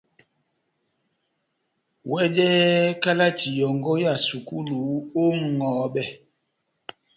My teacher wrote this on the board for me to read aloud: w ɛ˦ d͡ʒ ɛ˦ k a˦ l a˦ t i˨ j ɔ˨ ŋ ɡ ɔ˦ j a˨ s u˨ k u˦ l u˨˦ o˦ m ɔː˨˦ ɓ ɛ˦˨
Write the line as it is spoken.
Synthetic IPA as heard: w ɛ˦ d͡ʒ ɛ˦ k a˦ l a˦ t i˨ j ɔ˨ ŋ ɡ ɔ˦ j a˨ s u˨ k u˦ l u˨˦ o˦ ŋ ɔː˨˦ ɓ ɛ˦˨